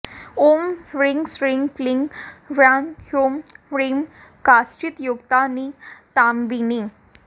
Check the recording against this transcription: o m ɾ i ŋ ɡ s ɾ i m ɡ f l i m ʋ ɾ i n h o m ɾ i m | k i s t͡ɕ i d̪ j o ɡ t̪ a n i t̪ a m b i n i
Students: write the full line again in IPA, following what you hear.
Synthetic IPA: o m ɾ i ŋ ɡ s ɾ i ŋ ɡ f l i ŋ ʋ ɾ a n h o m ɾ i m | k a s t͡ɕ i t̪ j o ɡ t̪ a n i t̪ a m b i n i